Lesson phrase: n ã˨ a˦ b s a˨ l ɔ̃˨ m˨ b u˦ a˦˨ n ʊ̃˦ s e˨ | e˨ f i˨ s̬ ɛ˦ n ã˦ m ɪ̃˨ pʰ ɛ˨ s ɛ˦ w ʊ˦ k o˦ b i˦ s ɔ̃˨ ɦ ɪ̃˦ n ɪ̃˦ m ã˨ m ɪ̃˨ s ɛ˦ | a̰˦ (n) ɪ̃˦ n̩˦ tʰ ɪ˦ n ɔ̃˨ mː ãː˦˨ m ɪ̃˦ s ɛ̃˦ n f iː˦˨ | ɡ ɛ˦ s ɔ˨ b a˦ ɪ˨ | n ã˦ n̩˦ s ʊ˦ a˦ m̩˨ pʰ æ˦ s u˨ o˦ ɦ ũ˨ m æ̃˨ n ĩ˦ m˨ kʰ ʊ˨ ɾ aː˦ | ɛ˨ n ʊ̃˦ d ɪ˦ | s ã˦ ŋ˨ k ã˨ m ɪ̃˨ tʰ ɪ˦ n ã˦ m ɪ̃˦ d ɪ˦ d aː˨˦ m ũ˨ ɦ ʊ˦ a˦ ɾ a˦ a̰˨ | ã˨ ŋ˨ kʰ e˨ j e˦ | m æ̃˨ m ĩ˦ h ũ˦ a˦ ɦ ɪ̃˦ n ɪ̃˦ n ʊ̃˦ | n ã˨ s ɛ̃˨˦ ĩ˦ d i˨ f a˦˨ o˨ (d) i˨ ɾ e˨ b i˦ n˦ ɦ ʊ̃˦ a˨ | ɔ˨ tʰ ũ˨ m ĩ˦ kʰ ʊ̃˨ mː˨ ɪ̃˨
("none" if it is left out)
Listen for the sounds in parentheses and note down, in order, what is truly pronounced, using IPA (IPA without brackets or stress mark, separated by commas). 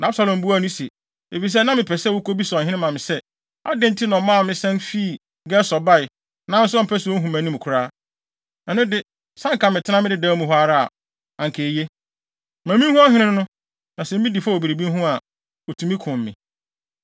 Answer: d, b